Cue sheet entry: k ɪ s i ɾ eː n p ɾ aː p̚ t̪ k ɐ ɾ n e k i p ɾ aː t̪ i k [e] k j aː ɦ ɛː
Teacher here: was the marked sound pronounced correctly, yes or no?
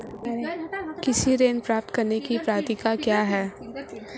no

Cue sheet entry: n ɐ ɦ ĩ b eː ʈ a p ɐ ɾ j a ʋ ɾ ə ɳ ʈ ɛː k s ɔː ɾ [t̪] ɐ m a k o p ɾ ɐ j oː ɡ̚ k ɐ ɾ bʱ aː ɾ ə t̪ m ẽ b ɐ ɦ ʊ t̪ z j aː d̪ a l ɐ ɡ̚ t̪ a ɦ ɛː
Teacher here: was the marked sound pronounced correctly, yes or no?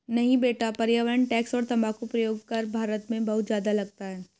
yes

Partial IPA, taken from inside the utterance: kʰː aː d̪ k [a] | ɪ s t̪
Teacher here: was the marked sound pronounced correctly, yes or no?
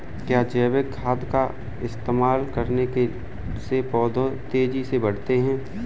yes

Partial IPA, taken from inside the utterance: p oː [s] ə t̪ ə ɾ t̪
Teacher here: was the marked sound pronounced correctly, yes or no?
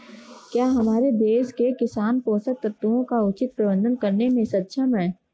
yes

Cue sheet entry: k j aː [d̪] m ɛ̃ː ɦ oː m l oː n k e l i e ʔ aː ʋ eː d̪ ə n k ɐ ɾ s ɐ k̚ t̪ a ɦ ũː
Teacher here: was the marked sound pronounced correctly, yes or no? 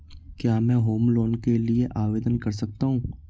no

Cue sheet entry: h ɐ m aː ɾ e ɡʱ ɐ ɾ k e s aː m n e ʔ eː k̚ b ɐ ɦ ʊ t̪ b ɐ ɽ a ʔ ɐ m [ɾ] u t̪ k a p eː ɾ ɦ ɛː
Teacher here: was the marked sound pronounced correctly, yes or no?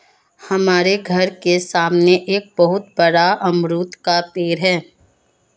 yes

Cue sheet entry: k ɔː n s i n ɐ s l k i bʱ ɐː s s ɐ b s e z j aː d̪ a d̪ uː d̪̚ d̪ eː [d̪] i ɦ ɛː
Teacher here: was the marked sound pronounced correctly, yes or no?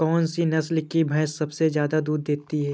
no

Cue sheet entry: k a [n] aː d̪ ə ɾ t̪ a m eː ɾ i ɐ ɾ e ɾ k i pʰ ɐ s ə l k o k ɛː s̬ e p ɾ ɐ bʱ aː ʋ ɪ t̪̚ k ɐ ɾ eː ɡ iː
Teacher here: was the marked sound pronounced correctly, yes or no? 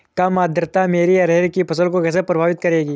no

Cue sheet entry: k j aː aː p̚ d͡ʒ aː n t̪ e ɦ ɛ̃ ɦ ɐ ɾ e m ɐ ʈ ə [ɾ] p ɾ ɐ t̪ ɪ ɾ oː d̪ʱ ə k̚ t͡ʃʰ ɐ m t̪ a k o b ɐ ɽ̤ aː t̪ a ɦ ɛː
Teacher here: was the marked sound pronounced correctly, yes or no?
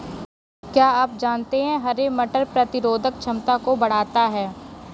yes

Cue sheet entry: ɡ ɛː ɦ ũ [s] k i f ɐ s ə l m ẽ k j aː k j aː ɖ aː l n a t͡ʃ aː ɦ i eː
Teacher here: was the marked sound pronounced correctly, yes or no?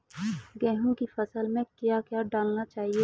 no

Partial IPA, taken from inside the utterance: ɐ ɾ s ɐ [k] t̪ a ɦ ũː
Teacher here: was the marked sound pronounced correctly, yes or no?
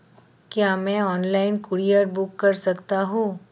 yes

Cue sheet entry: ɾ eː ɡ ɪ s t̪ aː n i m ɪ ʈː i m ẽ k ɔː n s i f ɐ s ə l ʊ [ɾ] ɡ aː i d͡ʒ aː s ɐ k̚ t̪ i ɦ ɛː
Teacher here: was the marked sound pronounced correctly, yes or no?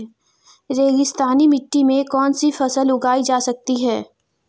no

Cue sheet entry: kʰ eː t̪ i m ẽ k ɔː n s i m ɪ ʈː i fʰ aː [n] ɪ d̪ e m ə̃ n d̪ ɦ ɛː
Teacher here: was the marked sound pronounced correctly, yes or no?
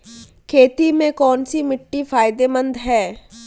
no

